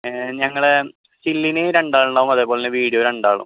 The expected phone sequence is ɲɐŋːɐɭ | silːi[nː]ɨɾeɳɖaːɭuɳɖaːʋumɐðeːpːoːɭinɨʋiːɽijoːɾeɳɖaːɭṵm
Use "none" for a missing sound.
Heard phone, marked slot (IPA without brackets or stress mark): n